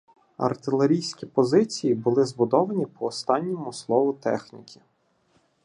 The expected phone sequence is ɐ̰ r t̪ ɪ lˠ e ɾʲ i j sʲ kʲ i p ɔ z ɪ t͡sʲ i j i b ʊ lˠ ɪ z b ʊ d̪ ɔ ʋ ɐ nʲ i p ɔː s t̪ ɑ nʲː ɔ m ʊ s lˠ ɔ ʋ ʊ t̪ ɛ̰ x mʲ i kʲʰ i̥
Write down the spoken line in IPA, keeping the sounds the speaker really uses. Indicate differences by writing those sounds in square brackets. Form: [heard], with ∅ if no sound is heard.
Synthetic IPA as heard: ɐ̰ r t̪ ɪ lˠ e ɾʲ i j sʲ kʲ i p ɔ z ɪ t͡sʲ i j i b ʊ lˠ ɪ z b ʊ d̪ ɔ ʋ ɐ nʲ i p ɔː s t̪ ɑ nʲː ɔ m ʊ s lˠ ɔ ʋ ʊ t̪ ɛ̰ x [nʲ] i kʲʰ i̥